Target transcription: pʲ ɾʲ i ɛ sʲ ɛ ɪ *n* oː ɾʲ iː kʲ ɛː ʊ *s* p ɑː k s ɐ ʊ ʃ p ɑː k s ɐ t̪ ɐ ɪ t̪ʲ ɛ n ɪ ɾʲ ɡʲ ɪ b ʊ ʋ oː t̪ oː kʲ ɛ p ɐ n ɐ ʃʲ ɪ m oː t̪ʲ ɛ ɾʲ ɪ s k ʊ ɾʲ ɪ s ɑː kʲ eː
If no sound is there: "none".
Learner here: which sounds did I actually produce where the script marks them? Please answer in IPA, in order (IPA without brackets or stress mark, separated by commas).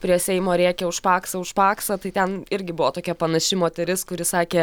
m, ʃ